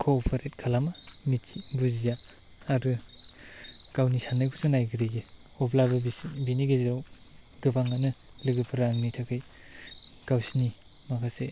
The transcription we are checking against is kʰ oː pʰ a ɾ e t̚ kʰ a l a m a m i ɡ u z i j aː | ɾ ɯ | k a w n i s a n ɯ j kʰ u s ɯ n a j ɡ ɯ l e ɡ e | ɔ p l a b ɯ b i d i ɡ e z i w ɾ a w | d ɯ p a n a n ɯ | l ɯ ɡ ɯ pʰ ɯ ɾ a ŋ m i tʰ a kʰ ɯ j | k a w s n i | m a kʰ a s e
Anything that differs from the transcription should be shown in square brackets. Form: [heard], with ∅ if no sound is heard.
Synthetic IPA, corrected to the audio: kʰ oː pʰ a ɾ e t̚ kʰ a l a m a m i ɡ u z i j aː | ɾ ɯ | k a w n i s a n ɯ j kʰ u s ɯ n a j ɡ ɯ [ɾ] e ɡ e | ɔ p l a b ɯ b i [n] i ɡ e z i [∅] ɾ a w | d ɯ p a [ŋ] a n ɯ | l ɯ ɡ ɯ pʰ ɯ ɾ a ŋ m i tʰ a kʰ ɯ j | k a w s n i | m a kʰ a s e